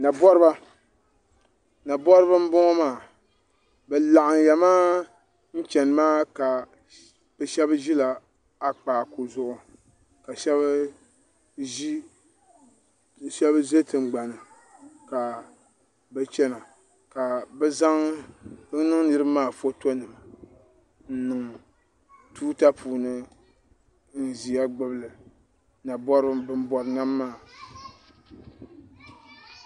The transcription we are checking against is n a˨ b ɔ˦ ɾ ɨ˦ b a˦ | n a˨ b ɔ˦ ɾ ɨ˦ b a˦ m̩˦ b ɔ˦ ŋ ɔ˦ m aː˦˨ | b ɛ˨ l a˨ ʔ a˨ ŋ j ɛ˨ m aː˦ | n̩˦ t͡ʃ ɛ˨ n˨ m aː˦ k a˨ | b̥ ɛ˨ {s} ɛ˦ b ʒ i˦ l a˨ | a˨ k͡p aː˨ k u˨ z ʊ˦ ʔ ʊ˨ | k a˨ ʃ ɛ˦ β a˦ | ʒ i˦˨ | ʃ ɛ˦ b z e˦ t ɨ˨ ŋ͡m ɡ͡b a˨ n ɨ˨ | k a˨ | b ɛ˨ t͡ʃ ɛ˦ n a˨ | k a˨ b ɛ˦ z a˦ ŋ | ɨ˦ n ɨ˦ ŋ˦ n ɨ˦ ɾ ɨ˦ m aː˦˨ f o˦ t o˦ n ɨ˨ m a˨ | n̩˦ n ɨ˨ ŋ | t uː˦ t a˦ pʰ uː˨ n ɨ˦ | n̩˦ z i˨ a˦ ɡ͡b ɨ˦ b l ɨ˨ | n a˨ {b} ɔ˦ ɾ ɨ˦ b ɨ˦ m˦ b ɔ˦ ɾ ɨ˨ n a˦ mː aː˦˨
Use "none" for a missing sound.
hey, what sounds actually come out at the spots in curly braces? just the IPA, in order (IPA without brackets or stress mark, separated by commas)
ʃ, b